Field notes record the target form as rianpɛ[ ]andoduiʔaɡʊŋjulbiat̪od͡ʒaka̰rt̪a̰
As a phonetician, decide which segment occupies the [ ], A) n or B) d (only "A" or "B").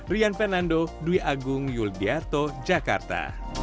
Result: A